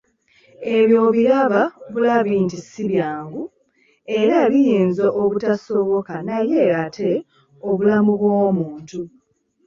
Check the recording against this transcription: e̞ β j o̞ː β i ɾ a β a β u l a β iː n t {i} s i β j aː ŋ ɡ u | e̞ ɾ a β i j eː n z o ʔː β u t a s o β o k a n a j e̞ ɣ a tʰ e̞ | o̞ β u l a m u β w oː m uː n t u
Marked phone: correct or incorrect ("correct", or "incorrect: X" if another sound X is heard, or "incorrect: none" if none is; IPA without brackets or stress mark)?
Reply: correct